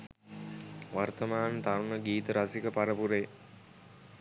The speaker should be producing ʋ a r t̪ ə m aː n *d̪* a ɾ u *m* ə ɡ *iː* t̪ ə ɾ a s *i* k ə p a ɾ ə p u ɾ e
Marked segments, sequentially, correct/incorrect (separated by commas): incorrect, incorrect, correct, correct